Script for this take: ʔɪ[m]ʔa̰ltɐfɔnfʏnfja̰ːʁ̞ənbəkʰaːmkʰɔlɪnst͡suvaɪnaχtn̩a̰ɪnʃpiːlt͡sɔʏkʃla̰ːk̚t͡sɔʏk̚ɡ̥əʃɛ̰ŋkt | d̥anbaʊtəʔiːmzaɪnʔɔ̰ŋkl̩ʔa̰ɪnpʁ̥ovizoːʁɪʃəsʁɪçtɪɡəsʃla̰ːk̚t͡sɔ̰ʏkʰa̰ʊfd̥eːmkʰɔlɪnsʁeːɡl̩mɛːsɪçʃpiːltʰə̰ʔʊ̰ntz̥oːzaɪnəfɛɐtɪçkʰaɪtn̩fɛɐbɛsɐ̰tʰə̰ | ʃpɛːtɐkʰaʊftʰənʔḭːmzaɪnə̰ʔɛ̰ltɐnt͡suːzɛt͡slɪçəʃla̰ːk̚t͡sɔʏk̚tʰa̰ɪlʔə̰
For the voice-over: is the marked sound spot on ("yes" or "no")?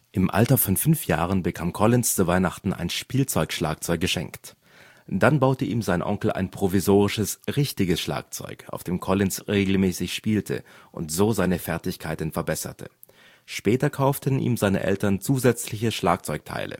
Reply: yes